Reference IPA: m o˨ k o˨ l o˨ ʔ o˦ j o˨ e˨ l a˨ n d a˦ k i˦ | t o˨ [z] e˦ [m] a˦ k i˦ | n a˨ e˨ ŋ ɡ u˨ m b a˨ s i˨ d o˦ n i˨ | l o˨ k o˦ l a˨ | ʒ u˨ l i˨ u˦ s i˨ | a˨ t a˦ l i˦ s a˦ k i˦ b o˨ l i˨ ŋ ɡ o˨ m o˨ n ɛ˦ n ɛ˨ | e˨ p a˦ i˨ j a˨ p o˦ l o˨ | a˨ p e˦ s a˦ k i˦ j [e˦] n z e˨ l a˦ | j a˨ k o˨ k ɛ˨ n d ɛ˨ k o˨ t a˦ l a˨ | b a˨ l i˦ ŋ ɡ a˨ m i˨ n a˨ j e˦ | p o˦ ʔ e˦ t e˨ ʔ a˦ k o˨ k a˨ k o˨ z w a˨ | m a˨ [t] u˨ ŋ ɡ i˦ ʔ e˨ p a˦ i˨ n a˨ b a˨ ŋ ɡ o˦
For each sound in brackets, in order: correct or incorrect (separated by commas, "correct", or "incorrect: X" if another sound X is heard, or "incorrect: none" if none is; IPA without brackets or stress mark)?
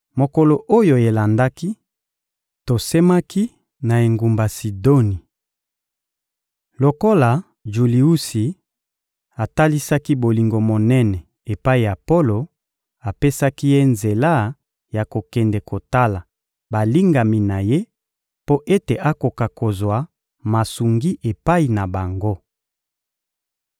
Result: incorrect: s, correct, correct, incorrect: s